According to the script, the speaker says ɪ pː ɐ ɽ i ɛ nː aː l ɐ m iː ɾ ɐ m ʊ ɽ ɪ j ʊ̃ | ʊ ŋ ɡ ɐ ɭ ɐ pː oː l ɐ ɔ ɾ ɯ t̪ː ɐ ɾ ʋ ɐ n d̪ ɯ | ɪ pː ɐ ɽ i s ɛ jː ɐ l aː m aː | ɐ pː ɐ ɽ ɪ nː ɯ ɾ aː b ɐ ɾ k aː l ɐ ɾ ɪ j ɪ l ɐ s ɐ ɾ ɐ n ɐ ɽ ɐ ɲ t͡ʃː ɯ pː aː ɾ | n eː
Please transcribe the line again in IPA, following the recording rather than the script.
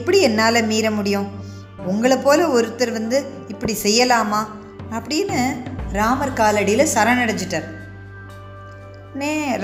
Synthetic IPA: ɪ pː ɐ ɽ i ɛ nː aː l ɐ m iː ɾ ɐ m ʊ ɽ ɪ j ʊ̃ | ʊ ŋ ɡ ɐ ɭ ɐ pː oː l ɐ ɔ ɾ ɯ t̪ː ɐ ɾ ʋ ɐ n d̪ ɯ | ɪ pː ɐ ɽ i s ɛ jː ɐ l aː m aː | ɐ pː ɐ ɽ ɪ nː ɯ ɾ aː m ɐ ɾ k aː l ɐ ɽ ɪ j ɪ l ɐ s ɐ ɾ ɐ n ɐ ɽ ɐ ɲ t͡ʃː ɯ ʈː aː ɾ | n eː